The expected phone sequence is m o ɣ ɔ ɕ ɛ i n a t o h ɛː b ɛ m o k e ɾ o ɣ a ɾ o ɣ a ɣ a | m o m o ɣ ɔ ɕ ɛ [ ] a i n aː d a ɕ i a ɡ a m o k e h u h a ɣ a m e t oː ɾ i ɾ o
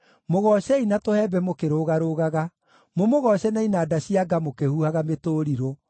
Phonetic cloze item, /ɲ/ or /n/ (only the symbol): n